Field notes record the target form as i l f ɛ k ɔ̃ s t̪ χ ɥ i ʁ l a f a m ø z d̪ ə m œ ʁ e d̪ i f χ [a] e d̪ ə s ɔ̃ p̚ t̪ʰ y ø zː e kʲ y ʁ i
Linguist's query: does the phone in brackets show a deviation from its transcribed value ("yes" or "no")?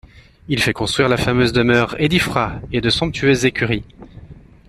no